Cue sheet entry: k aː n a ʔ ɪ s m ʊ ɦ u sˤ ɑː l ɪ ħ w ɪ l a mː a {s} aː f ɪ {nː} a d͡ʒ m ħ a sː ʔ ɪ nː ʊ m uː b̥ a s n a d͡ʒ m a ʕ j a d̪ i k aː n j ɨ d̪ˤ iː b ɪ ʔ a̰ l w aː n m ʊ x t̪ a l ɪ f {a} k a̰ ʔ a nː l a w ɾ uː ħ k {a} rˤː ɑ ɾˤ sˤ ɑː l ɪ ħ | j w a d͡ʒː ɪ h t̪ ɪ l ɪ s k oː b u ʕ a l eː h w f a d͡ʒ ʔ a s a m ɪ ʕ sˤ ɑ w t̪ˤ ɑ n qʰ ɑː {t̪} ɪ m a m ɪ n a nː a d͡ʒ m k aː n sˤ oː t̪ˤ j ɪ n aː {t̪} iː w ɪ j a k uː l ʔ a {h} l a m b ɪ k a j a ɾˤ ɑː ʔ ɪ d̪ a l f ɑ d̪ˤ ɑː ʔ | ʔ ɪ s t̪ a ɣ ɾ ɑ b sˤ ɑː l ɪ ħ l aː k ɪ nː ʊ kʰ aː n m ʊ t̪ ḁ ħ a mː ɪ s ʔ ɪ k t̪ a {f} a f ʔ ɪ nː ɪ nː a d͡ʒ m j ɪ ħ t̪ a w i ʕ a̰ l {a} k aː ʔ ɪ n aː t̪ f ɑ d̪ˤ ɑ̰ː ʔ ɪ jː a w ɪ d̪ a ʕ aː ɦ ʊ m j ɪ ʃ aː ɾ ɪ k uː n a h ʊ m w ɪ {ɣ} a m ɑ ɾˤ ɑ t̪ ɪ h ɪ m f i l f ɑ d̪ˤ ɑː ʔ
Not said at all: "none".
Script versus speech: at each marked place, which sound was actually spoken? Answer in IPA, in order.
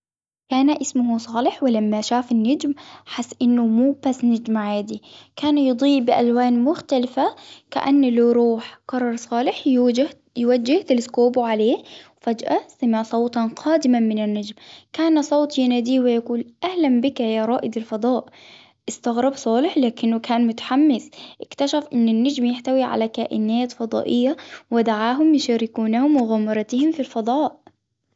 ʃ, nː, a, ɑ, d̪, d̪, h, ʃ, a, ɣ

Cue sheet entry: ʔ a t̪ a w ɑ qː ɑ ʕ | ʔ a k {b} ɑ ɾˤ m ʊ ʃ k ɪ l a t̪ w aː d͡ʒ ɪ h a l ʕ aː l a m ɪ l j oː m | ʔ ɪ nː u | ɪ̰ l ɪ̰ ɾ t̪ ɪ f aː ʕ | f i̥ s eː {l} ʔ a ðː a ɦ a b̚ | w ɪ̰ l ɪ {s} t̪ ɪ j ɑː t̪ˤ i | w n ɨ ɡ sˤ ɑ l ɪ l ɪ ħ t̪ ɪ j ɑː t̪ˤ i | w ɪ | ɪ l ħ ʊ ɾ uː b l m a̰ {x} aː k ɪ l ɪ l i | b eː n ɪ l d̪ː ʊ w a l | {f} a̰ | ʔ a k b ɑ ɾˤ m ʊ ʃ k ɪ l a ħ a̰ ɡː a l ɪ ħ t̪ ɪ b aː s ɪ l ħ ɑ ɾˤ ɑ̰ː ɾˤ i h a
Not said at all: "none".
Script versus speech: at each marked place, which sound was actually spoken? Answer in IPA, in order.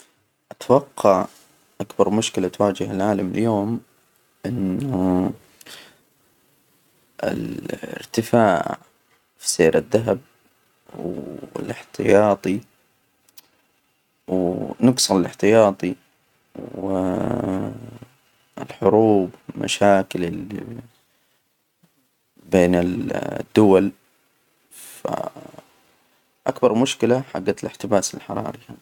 b, ɾ, ħ, ʃ, f

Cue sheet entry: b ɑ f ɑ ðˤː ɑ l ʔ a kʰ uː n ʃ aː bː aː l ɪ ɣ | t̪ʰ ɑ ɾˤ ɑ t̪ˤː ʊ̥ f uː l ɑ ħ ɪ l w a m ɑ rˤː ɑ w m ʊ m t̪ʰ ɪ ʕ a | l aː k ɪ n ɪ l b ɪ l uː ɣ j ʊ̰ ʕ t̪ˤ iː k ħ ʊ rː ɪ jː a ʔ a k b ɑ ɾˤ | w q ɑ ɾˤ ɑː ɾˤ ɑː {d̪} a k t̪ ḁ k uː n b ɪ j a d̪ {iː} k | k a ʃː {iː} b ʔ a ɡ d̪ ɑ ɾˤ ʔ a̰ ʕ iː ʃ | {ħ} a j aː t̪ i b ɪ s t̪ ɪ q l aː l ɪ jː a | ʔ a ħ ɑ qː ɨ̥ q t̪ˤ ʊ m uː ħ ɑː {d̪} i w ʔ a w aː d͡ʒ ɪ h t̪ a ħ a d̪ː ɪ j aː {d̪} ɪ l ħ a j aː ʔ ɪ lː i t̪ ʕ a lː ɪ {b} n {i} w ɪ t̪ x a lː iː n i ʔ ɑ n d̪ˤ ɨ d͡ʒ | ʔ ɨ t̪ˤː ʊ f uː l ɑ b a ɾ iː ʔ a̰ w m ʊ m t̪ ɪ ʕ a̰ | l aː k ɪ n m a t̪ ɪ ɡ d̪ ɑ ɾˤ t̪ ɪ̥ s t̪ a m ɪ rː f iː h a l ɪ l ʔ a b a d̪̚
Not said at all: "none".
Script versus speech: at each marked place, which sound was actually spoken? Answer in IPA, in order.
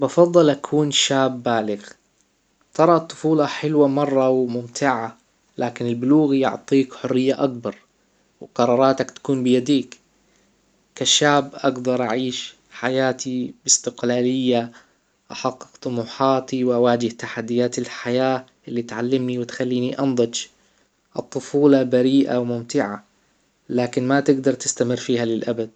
t̪, iː, aː, ħ, t̪, t̪, m, i

